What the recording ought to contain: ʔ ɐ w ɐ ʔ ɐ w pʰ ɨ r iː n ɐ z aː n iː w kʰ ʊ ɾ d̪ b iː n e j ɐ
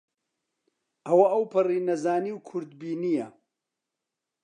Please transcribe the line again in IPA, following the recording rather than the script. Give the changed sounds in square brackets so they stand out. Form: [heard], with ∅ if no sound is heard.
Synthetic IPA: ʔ ɐ w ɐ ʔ ɐ w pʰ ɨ r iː n ɐ z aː n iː w kʰ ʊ ɾ d̪ b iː n [i] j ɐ